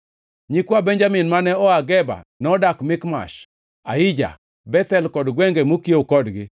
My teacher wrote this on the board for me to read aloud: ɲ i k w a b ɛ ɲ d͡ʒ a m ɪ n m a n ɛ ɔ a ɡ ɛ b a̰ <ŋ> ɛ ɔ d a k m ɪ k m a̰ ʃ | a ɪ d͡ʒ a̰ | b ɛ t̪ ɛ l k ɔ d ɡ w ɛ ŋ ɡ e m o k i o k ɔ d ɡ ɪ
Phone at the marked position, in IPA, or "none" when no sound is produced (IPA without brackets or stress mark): n